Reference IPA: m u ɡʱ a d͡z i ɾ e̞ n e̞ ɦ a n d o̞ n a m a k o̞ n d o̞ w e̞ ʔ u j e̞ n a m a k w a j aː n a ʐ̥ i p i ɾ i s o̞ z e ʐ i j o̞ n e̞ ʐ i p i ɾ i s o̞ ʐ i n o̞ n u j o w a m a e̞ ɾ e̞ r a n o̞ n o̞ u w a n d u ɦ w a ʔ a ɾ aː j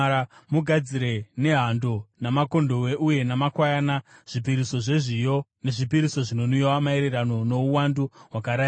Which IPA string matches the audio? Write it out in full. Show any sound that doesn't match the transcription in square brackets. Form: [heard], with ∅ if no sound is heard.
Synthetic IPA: m u ɡʱ a d͡z i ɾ e̞ n e̞ ɦ a n d o̞ n a m a k o̞ n d o̞ w e̞ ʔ u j e̞ n a m a k w a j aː n a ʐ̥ i p i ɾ i s o̞ [ʐ] e ʐ i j o̞ n e̞ ʐ i p i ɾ i s o̞ ʐ i n o̞ n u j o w a m a e̞ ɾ e̞ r a n o̞ n o̞ u w a n d u ɦ w a [k] a ɾ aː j